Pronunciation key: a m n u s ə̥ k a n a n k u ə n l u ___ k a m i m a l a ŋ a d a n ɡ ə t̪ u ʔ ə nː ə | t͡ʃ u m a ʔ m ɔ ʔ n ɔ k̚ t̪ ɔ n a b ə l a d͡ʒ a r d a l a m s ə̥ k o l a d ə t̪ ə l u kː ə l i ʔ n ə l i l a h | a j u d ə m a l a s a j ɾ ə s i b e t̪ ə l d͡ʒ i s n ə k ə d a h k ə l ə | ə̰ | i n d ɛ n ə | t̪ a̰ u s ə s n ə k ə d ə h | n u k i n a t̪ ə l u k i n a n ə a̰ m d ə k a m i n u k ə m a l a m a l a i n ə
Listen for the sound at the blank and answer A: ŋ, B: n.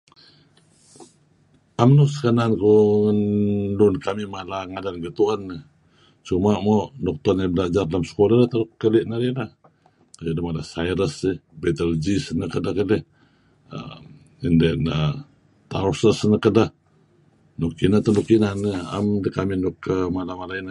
B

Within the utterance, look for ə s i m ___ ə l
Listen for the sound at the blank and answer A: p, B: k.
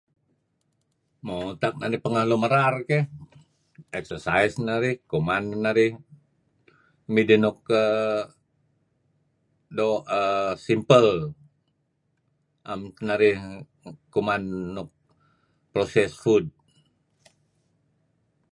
A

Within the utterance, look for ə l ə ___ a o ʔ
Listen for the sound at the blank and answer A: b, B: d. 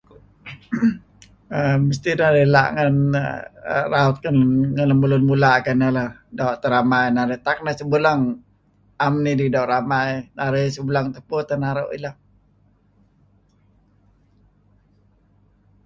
B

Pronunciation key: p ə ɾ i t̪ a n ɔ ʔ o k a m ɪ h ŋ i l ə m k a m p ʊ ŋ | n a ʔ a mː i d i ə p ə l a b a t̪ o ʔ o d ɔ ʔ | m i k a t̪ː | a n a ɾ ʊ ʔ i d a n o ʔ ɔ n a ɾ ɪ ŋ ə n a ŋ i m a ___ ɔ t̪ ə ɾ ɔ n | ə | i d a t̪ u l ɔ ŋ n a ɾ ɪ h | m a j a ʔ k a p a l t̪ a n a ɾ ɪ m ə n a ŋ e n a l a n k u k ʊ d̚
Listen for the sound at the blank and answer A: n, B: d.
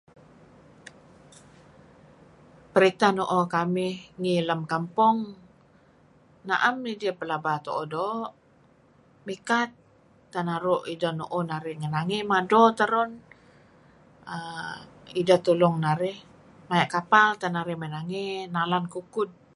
B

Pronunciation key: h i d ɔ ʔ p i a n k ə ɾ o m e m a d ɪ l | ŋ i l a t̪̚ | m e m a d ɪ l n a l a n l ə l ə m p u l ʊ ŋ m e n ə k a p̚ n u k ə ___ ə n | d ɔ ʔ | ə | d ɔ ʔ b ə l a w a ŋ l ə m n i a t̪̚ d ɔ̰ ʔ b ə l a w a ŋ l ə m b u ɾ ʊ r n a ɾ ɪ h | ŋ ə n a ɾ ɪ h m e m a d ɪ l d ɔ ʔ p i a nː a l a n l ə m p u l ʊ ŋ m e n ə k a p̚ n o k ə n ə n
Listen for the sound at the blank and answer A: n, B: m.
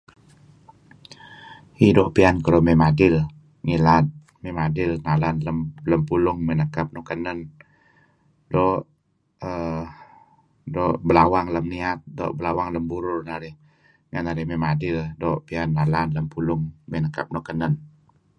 A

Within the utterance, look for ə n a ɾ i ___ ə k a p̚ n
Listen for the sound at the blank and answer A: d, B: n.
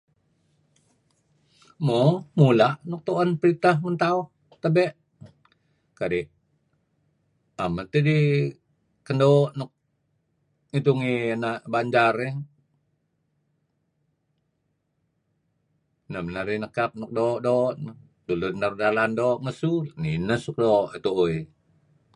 B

